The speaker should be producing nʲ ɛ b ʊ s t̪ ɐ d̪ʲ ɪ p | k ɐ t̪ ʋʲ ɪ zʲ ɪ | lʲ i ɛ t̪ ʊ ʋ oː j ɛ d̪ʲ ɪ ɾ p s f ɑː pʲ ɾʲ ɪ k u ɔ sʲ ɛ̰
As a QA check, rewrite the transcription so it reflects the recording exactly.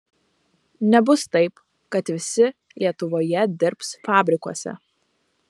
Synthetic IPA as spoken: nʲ ɛ b ʊ s t̪ ɐ ɪ p | k ɐ t̪ ʋʲ ɪ sʲ ɪ | lʲ i ɛ t̪ ʊ ʋ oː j ɛ d̪ʲ ɪ ɾ p s f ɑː bʲ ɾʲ ɪ k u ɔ sʲ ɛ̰